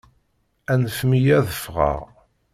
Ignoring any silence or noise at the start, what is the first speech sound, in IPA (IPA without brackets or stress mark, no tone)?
æ